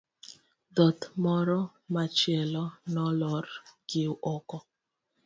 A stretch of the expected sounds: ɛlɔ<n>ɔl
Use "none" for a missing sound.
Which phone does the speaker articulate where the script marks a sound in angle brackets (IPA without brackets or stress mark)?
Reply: n